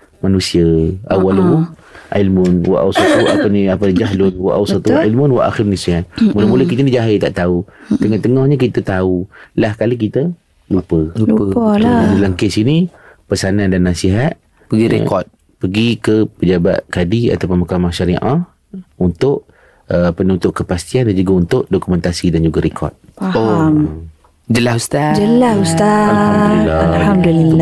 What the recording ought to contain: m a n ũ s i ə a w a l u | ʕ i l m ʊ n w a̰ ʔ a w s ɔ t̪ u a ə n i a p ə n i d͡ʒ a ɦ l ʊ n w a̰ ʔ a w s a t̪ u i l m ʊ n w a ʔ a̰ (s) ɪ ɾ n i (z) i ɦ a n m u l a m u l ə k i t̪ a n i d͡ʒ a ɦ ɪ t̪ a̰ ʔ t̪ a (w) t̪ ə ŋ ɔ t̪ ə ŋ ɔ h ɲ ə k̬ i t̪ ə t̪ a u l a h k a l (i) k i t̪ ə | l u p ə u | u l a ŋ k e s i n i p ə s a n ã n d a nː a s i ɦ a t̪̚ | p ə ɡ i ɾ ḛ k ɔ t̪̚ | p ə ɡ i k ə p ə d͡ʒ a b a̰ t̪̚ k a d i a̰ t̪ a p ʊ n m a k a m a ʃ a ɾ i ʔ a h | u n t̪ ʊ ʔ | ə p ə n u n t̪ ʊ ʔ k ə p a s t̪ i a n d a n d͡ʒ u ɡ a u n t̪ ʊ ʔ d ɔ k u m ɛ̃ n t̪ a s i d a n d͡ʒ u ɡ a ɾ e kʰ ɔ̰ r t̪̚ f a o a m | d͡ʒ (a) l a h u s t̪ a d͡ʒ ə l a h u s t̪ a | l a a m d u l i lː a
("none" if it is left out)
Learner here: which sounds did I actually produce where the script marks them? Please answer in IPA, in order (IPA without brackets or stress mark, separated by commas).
x, s, u, i, ə